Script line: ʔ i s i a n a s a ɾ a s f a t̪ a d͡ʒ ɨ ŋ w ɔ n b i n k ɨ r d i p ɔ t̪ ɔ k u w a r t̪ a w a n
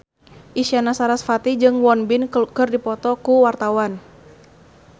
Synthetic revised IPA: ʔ i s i a n a s a ɾ a s f a t̪ i d͡ʒ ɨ ŋ w ɔ n b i n k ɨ r d i p ɔ t̪ ɔ k u w a r t̪ a w a n